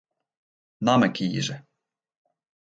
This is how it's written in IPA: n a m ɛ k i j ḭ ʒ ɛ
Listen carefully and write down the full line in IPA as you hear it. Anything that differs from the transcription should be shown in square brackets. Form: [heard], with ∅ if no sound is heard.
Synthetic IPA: n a m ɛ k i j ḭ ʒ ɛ